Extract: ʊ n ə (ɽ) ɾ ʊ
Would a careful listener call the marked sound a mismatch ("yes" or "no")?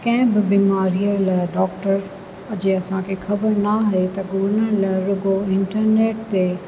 yes